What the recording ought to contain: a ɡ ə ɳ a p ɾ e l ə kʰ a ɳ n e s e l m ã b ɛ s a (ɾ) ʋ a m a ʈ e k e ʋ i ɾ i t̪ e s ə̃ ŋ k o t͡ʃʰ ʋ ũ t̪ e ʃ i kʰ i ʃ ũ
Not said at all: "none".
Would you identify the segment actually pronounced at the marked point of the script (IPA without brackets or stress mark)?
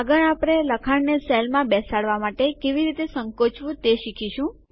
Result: ɽ